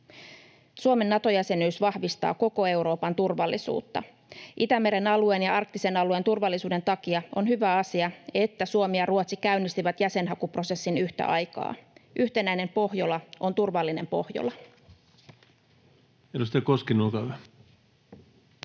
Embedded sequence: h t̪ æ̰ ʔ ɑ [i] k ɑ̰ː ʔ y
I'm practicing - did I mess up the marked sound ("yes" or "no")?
yes